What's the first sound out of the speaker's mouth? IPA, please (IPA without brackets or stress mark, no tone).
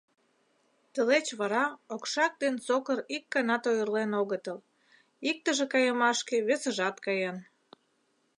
t̪